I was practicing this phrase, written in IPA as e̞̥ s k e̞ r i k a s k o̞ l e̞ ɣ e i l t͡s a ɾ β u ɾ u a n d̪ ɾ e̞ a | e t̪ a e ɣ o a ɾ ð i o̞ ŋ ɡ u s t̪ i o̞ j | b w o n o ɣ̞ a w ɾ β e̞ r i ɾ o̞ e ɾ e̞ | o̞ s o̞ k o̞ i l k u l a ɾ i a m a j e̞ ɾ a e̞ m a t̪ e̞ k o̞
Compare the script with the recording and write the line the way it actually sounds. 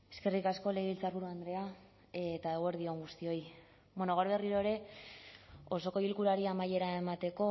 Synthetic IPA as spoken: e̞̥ s k e̞ r i k a s k o̞ l e̞ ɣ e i l t͡s a ɾ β u ɾ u a n d̪ ɾ e̞ a | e t̪ a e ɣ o e ɾ ð i o̞ ŋ ɡ u s t̪ i o̞ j | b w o n o ɣ̞ a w ɾ β e̞ r i ɾ o̞ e ɾ e̞ | o̞ s o̞ k o̞ i l k u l a ɾ i a m a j e̞ ɾ a e̞ m a t̪ e̞ k o̞